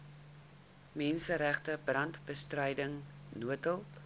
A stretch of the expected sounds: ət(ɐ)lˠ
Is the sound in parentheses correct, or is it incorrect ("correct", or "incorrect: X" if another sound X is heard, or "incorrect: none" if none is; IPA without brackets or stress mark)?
incorrect: ə